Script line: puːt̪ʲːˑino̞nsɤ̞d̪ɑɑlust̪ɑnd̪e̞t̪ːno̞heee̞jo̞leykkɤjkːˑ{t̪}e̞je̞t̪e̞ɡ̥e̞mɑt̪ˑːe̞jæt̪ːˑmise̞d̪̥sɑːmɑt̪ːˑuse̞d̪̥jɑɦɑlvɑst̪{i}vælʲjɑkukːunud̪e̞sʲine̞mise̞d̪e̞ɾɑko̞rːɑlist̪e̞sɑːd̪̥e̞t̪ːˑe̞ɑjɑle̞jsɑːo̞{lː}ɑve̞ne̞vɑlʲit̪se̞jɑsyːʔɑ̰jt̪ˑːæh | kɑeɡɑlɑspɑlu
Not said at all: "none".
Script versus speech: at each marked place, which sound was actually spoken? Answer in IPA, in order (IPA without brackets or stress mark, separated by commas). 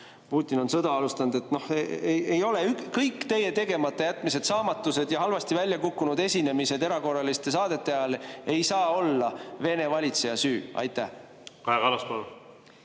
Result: t̪, i, lː